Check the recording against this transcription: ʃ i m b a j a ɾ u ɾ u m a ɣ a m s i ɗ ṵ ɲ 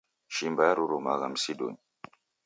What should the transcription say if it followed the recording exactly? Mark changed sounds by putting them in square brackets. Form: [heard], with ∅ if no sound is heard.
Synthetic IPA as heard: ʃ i m b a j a ɾ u ɾ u m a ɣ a m s i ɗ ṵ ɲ